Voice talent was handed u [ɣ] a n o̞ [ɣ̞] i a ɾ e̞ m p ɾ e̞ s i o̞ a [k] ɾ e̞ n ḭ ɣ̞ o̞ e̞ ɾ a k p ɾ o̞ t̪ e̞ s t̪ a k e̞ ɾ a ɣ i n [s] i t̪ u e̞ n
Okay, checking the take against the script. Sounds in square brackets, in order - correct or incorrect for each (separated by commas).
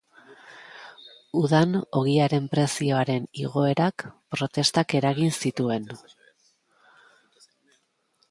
incorrect, correct, incorrect, correct